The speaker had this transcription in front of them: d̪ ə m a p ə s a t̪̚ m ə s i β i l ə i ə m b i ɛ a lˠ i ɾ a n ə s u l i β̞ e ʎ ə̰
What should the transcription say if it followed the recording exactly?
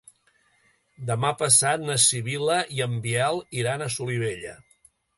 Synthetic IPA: d̪ ə m a p ə s a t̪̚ n ə s i β i l ə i ə m b i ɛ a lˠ i ɾ a n ə s u l i β̞ e ʎ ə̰